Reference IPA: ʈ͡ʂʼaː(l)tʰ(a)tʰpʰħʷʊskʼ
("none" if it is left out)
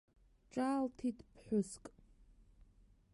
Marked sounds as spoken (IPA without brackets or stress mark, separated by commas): l, i